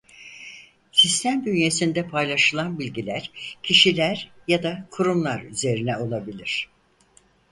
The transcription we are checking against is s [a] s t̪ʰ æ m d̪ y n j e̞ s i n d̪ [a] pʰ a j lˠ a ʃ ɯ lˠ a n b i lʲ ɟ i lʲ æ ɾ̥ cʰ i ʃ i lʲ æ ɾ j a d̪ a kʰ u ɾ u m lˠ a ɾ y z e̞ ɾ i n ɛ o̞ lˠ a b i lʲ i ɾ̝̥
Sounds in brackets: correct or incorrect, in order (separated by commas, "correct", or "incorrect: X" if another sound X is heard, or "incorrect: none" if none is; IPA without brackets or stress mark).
incorrect: i, incorrect: ɛ